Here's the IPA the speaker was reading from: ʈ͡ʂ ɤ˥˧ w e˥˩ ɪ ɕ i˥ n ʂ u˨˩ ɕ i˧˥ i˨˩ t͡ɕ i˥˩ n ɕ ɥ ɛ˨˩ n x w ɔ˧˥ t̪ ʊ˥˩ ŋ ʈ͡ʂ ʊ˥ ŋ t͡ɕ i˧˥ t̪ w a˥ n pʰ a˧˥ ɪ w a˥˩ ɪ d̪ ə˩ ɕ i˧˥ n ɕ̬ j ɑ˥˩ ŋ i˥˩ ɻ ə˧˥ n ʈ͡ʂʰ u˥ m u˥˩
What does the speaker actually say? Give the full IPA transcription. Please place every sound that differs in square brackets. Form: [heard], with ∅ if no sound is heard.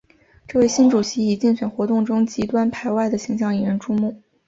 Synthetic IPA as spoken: ʈ͡ʂ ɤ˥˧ w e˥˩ ɪ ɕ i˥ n [ʈ͡ʂ] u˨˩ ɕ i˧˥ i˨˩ t͡ɕ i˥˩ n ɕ ɥ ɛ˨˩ n x w ɔ˧˥ t̪ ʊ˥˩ ŋ ʈ͡ʂ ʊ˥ ŋ t͡ɕ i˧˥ t̪ w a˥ n pʰ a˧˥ ɪ w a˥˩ ɪ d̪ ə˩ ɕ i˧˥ [ŋ] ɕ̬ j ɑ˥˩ ŋ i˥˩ ɻ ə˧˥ n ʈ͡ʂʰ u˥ m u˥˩